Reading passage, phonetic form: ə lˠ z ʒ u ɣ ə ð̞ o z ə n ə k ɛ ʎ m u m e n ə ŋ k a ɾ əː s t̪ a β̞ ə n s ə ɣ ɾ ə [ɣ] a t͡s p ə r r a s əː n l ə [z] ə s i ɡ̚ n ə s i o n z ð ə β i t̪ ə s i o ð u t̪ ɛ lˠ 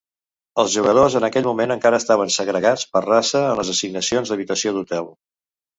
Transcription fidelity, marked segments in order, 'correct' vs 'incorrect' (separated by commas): correct, correct